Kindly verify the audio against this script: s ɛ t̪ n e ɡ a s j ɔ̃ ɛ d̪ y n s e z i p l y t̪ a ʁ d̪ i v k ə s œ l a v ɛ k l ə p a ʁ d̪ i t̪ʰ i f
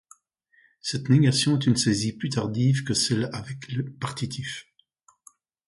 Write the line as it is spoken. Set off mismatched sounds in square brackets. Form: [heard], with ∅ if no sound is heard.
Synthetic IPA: s ɛ t̪ n e ɡ a s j ɔ̃ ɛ [t̪] y n s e z i p l y t̪ a ʁ d̪ i v k ə s [ɛ] l a v ɛ k l ə p a ʁ [t̪] i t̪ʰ i f